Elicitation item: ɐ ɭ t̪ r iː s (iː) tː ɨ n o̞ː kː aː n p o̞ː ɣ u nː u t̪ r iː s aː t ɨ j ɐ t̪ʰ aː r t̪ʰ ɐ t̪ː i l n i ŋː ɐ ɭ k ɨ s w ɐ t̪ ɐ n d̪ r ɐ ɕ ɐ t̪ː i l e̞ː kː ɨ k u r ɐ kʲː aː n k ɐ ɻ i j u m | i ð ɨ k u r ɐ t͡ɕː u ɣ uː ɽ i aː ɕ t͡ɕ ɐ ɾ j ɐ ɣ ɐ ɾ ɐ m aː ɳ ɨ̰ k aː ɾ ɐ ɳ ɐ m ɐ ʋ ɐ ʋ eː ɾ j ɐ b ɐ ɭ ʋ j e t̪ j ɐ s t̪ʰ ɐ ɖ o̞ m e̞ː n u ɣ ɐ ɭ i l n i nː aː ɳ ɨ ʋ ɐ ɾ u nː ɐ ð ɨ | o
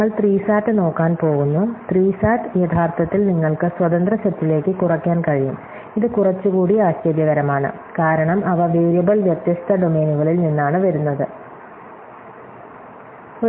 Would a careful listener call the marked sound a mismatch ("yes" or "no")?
yes